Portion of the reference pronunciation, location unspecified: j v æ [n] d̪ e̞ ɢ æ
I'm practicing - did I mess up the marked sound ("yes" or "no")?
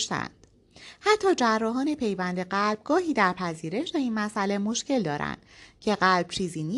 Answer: no